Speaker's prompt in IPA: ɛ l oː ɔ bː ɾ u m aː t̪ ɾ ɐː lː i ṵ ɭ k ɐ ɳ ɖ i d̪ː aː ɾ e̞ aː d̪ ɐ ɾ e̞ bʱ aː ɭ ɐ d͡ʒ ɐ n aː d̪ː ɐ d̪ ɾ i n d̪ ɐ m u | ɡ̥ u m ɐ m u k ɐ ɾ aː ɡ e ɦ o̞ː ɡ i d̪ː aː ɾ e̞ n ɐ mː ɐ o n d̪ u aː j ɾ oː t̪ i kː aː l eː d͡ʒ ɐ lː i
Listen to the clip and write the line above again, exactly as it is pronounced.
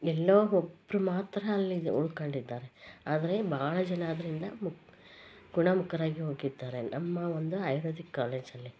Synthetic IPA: ɛ lː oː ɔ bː ɾ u m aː t̪ ɾ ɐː lː i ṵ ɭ k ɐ ɳ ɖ i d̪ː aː ɾ e̞ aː d̪ ɐ ɾ e̞ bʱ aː ɭ ɐ d͡ʒ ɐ n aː d̪ ɐ ɾ i n d̪ ɐ m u | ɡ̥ u ɳ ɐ m u k ɐ ɾ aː ɡ i ɦ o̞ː ɡ i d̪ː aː ɾ e̞ n ɐ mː ɐ o n d̪ u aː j ɾ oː d̪ i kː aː l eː d͡ʒ ɐ lː i